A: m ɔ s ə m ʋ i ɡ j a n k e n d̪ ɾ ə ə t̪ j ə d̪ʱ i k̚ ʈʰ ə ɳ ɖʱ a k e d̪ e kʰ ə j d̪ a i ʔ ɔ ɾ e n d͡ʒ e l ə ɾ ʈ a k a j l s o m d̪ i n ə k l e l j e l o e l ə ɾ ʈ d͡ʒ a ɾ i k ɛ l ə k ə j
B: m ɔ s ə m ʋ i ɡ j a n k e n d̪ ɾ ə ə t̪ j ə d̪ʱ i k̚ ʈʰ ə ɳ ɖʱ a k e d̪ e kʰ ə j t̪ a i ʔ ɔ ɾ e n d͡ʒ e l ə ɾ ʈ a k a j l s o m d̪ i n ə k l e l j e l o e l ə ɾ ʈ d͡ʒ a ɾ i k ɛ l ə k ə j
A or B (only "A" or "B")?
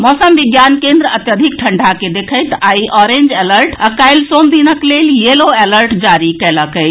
B